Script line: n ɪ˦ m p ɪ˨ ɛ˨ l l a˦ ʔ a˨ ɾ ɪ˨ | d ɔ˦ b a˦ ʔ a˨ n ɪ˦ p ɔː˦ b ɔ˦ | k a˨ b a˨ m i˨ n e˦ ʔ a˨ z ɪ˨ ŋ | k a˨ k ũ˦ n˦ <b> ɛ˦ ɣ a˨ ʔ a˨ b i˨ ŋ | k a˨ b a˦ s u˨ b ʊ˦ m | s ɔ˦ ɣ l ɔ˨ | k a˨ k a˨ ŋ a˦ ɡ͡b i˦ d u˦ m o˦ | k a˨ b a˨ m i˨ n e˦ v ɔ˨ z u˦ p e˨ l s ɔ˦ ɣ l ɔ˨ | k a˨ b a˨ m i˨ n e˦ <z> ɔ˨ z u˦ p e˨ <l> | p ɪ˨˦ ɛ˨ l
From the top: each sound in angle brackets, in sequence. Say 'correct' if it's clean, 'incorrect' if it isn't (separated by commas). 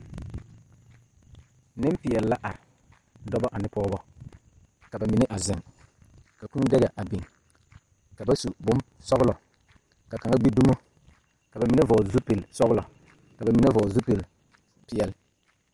incorrect, incorrect, correct